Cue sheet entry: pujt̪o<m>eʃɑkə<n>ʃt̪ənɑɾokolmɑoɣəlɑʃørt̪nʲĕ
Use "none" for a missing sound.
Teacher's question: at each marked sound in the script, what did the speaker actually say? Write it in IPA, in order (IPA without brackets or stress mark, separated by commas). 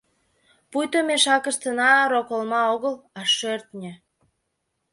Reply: m, none